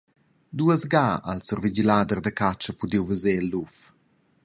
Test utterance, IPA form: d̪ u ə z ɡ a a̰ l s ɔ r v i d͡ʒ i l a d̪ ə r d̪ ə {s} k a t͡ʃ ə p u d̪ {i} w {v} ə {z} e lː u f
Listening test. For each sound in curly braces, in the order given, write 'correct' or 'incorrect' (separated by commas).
incorrect, correct, correct, correct